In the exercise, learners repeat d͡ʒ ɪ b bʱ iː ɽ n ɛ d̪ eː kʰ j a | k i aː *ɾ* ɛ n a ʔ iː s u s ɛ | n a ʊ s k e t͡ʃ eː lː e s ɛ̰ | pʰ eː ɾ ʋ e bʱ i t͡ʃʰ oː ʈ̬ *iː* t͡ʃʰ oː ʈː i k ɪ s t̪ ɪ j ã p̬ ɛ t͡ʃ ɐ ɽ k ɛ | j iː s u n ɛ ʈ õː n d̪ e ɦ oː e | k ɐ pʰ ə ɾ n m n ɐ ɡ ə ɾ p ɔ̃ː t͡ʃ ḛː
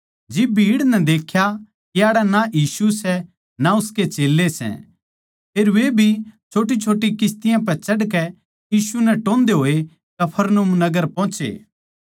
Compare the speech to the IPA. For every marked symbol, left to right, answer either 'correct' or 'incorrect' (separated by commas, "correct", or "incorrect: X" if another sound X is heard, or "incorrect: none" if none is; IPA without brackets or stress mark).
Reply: incorrect: ɽ, incorrect: i